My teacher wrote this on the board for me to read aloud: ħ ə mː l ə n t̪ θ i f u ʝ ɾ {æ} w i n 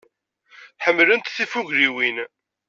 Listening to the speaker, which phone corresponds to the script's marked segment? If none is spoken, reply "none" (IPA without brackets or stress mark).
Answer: i